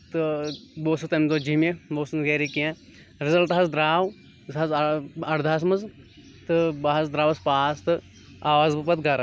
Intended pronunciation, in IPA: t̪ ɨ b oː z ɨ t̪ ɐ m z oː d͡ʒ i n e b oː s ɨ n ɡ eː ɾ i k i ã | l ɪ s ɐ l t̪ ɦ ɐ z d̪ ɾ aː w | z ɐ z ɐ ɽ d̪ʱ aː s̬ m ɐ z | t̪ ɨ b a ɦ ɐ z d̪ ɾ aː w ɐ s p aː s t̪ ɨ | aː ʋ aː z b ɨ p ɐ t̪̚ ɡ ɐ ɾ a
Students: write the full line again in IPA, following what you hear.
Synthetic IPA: t̪ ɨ b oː s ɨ t̪ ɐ m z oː d͡ʒ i m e b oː s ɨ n ɡ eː ɾ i k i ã | ɾ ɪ z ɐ l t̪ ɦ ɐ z d̪ ɾ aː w | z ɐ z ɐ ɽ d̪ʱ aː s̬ m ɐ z | t̪ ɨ b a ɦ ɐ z d̪ ɾ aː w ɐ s p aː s t̪ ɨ | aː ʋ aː z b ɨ p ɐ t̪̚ ɡ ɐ ɾ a